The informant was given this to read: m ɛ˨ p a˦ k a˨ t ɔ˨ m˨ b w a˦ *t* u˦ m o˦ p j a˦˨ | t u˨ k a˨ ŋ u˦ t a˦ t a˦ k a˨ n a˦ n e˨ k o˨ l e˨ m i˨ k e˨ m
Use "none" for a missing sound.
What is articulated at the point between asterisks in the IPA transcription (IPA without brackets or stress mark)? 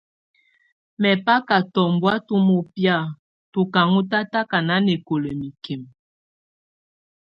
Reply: t